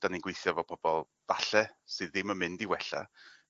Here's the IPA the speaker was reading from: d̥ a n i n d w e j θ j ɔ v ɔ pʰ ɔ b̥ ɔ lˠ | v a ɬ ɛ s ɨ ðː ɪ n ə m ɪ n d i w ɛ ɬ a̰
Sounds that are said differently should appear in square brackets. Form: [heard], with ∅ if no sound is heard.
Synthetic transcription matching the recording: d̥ a n i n [ɡ] w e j θ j ɔ v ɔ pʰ ɔ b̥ ɔ lˠ | v a ɬ ɛ s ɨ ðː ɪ [m] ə m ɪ n d i w ɛ ɬ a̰